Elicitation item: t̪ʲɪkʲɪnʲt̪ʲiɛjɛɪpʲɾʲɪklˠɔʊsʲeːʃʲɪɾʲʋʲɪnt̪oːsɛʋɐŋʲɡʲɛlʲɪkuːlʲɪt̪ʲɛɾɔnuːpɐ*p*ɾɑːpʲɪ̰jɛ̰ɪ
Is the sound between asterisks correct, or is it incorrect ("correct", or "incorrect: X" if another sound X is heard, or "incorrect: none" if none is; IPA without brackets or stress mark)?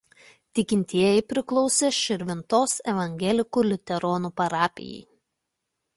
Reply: incorrect: none